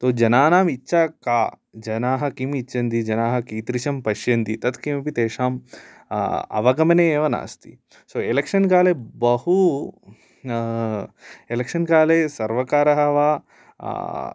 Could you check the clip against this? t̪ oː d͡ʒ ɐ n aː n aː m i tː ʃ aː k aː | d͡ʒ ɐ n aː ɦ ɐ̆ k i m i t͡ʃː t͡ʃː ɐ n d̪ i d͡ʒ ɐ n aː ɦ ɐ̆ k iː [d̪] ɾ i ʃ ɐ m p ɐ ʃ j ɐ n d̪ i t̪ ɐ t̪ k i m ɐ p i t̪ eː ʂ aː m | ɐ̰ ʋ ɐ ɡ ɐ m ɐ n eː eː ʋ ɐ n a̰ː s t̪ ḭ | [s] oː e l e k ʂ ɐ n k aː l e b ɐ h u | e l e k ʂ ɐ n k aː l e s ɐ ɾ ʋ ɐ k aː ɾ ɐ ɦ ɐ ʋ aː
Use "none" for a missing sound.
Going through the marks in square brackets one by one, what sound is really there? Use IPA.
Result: t̪, s

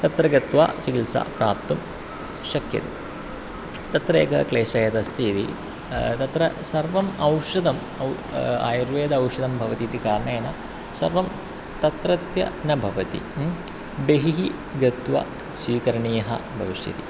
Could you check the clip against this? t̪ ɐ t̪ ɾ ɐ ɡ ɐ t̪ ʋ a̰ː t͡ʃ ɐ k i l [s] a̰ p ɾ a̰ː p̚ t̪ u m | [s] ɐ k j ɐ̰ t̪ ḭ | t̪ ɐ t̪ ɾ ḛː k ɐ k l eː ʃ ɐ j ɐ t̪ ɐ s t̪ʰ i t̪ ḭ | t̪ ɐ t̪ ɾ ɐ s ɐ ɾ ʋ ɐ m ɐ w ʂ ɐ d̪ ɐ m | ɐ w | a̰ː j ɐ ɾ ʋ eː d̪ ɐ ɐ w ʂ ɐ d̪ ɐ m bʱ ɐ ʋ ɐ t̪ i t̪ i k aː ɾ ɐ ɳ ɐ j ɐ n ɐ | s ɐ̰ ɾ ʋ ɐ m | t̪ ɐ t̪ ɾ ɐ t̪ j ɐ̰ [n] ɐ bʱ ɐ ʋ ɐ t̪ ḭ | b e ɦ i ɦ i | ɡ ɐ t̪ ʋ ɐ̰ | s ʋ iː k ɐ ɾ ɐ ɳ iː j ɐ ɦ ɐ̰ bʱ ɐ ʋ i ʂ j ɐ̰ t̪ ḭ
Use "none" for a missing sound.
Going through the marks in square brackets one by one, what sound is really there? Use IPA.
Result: s, ʃ, n

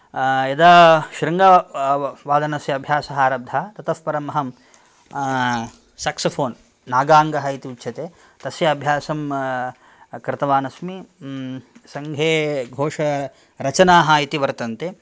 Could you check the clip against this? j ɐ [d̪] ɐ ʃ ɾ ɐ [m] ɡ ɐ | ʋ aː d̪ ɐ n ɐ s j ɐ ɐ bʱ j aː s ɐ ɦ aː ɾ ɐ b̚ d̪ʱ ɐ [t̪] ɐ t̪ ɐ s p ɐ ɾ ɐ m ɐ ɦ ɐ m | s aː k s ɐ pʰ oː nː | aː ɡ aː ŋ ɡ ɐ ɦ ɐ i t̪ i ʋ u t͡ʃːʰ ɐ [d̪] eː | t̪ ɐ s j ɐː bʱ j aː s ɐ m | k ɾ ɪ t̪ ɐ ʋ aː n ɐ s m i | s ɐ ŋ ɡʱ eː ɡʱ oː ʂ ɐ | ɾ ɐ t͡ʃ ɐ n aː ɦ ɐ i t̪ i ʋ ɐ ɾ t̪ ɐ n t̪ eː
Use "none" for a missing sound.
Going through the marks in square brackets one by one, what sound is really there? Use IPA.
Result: d̪, ŋ, t̪, t̪

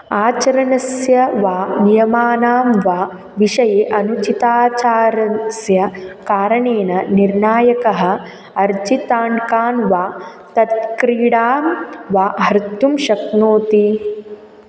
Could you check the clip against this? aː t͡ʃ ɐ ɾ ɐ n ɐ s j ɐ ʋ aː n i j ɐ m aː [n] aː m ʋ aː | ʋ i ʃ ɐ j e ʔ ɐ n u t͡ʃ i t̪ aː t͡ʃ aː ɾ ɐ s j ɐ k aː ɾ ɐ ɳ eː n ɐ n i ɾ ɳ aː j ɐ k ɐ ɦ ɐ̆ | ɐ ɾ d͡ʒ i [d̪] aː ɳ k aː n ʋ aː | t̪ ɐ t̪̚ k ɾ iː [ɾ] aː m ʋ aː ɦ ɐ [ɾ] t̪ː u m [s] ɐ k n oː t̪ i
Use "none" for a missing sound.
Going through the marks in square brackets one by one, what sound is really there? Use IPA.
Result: n, t̪, ɽ, ɾ, ʃ

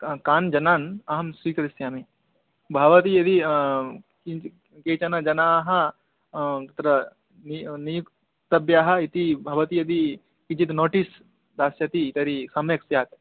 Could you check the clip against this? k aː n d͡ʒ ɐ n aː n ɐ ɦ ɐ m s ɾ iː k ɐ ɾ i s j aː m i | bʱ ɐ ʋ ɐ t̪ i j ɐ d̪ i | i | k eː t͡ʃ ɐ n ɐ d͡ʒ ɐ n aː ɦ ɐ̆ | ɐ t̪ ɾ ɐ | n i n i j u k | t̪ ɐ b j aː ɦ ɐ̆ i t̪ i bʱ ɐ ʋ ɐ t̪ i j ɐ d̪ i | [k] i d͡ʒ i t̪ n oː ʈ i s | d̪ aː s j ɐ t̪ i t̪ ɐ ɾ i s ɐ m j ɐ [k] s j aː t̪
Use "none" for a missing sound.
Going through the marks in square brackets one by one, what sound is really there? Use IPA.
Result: k, k

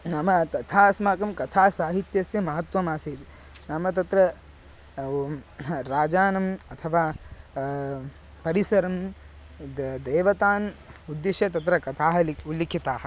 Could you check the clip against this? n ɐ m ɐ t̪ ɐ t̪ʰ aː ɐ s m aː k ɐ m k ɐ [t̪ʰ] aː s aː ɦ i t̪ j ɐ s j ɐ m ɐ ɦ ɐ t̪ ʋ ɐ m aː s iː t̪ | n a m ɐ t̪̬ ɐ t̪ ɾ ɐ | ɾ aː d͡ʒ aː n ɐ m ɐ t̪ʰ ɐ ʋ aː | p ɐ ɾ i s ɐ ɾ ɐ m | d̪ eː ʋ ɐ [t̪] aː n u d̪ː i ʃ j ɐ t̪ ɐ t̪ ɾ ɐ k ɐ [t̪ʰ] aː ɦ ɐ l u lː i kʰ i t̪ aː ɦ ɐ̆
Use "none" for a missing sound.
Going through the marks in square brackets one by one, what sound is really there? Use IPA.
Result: t̪ʰ, t̪, t̪ʰ

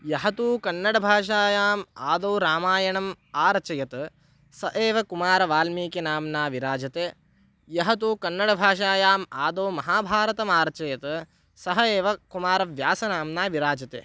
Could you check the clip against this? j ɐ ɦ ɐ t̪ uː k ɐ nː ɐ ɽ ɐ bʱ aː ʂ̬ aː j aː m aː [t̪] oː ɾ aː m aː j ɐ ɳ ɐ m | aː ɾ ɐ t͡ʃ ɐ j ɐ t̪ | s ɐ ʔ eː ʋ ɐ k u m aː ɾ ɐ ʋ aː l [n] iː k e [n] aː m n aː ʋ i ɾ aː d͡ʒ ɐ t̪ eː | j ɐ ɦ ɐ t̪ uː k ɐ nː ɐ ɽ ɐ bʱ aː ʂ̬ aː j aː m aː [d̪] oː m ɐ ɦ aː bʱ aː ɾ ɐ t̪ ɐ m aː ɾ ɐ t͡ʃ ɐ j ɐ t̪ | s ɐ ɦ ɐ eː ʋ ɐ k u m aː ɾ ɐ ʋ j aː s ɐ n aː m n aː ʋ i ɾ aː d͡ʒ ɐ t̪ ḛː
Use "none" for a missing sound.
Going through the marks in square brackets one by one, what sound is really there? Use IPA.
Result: d̪, m, n, d̪

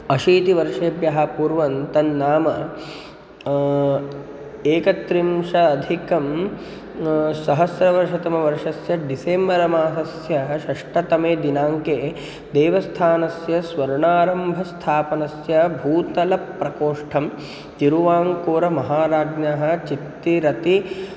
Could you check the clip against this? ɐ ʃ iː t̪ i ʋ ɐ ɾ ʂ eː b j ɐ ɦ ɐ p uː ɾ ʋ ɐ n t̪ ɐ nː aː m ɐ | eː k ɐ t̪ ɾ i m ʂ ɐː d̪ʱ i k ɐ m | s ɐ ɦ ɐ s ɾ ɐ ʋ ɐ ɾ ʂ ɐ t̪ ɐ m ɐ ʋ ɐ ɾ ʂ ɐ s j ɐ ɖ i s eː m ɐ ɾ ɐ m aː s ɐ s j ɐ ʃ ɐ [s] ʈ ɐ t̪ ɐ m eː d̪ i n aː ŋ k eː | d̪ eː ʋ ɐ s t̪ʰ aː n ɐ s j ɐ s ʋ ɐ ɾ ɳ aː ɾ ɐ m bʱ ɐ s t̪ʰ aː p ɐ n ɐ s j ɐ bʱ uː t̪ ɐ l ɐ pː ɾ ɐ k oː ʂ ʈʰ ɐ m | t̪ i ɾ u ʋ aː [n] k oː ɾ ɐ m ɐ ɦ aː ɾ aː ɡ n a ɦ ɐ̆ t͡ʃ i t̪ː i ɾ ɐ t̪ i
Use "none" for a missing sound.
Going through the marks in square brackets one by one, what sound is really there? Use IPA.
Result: ʂ, ŋ

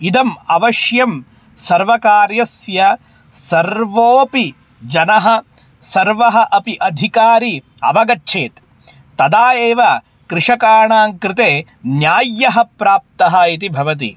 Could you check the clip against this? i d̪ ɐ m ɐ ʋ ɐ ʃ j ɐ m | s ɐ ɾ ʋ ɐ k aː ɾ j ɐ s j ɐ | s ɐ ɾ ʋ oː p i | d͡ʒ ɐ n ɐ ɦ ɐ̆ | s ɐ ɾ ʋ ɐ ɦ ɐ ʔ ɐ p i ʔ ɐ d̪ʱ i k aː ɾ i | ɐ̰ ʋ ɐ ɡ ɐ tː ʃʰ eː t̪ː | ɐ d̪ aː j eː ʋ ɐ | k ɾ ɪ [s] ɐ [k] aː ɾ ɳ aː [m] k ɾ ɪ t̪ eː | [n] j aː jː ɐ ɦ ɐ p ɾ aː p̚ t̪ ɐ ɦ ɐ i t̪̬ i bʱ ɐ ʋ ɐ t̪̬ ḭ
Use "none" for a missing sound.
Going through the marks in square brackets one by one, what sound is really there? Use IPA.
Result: ʂ, k, ŋ, n

